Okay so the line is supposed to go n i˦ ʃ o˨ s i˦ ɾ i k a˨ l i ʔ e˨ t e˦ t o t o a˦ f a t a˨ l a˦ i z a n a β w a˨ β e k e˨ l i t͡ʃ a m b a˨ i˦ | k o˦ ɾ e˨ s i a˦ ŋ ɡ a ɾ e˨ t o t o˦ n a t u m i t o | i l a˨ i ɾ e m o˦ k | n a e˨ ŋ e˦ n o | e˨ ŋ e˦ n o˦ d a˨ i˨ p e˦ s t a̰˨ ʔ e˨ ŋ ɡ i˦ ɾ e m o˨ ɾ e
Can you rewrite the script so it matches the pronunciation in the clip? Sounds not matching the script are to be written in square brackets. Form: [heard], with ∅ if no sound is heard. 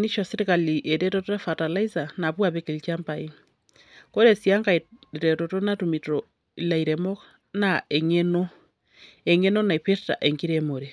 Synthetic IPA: n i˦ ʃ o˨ s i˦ ɾ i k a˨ l i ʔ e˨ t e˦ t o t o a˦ f a t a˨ l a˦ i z a n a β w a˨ β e k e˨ l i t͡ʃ a m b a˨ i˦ | k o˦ ɾ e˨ s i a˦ ŋ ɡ a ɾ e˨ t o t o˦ n a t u m i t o | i l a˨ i ɾ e m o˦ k | n a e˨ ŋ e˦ n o | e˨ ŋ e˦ n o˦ [n] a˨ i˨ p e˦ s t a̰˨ ʔ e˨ ŋ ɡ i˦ ɾ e m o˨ ɾ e

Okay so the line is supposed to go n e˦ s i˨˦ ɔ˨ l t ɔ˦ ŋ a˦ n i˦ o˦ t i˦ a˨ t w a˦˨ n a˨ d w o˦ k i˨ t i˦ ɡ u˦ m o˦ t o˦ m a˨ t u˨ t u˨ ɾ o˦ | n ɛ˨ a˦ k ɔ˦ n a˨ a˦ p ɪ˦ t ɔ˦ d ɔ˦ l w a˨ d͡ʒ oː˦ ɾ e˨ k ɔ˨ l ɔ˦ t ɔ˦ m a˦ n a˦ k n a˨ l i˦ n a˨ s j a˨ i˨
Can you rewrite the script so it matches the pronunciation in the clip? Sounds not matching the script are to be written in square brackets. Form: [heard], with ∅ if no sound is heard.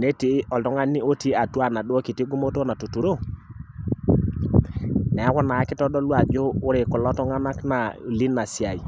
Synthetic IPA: n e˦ [t] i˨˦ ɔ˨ l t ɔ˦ ŋ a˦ n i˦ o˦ t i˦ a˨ t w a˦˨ n a˨ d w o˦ k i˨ t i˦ ɡ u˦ m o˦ t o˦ [n] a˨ t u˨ t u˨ ɾ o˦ | n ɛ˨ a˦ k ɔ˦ n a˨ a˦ [k] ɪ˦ t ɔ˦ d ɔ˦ l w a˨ d͡ʒ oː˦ ɾ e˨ k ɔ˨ l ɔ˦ t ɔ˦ [ŋ] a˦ n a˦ k n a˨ l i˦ n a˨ s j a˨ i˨

